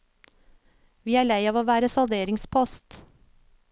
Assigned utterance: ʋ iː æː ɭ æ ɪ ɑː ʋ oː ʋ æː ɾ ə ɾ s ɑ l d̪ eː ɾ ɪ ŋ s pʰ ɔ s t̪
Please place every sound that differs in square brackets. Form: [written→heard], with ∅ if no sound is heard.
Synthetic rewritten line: ʋ iː æː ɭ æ ɪ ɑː ʋ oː ʋ æː ɾ ə [ɾ→∅] s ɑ l d̪ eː ɾ ɪ ŋ s pʰ ɔ s t̪

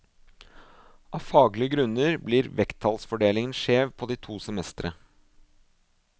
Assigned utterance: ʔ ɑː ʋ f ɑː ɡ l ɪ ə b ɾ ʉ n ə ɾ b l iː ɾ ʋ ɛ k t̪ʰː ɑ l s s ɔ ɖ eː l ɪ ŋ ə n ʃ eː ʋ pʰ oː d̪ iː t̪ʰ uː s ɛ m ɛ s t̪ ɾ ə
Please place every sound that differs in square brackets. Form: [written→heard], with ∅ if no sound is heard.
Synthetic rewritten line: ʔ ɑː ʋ f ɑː ɡ l ɪ ə [b→ɡ] ɾ ʉ n ə ɾ b l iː ɾ ʋ ɛ k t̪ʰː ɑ l s [s→f] ɔ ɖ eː l ɪ ŋ ə n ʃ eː ʋ pʰ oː d̪ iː t̪ʰ uː s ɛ m ɛ s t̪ ɾ ə

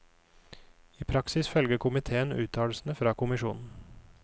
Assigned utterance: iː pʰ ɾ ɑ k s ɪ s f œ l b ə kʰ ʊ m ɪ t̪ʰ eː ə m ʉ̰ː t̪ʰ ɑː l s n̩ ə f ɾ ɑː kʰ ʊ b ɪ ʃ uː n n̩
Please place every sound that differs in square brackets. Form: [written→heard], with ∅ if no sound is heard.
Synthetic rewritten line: iː pʰ ɾ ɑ k s ɪ s f œ l [b→ɡ] ə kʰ ʊ m ɪ t̪ʰ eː ə [m→n] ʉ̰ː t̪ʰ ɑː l s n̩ ə f ɾ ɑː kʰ ʊ [b→m] ɪ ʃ uː n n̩

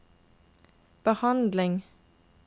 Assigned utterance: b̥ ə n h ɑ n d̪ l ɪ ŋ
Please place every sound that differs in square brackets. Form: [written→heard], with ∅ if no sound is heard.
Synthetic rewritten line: b̥ ə [n→∅] h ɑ n d̪ l ɪ ŋ

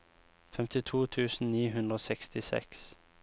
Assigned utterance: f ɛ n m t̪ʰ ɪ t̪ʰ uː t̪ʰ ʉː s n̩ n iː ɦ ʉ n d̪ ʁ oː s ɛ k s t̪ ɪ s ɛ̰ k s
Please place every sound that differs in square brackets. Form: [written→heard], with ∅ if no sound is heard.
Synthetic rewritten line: f ɛ [n→∅] m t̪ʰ ɪ t̪ʰ uː t̪ʰ ʉː s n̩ n iː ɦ ʉ n d̪ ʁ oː s ɛ k s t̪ ɪ s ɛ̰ k s

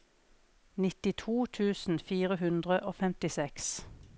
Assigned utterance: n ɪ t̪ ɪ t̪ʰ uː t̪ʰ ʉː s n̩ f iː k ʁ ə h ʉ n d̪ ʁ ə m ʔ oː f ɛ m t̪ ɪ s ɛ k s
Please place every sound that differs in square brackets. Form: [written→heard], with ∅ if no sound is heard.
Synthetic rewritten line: n ɪ t̪ ɪ t̪ʰ uː t̪ʰ ʉː s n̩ f iː [k→∅] ʁ ə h ʉ n d̪ ʁ ə [m→∅] ʔ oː f ɛ m t̪ ɪ s ɛ k s

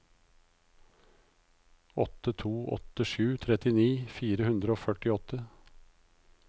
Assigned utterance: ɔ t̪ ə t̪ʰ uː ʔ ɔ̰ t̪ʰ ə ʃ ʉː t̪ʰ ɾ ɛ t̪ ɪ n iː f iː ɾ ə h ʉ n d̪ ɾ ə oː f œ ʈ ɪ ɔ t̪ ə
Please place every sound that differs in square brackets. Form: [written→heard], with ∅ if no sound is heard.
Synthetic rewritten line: ɔ t̪ ə t̪ʰ uː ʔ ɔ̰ [t̪ʰ→t̪] ə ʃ ʉː t̪ʰ ɾ ɛ t̪ ɪ n iː f iː ɾ ə h ʉ n d̪ ɾ ə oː f œ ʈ ɪ ɔ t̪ ə

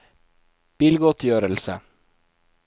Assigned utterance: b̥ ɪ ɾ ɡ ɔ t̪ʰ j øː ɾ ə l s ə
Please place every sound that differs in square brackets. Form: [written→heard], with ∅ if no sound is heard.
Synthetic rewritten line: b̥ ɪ [ɾ→l] ɡ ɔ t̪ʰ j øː ɾ ə l s ə

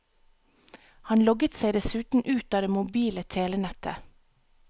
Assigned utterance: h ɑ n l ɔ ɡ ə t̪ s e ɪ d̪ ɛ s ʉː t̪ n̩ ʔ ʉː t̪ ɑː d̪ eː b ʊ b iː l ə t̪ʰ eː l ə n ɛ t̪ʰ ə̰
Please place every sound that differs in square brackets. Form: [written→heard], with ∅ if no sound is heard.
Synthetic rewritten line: h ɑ n l ɔ ɡ ə t̪ s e ɪ d̪ ɛ s ʉː t̪ n̩ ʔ ʉː t̪ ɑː d̪ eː [b→m] ʊ b iː l ə t̪ʰ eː l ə n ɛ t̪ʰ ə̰

